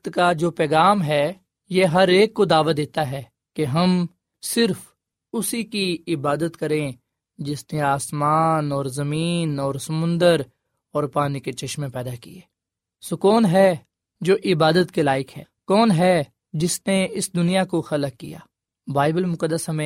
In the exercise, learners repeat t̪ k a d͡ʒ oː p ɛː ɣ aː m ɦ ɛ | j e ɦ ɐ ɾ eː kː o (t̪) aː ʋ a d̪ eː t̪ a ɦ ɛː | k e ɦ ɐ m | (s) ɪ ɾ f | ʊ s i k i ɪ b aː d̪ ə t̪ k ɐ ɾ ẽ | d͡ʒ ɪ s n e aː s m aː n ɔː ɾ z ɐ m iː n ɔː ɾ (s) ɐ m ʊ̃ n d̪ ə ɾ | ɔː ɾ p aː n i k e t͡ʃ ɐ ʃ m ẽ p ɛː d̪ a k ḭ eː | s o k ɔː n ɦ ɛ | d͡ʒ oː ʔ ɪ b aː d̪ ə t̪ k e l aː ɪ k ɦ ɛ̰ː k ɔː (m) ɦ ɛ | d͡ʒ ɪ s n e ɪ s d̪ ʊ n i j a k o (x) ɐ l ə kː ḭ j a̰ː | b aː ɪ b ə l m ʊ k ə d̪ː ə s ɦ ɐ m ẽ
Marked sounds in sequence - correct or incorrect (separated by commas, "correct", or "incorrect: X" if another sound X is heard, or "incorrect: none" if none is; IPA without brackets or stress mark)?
incorrect: d̪, correct, correct, incorrect: n, correct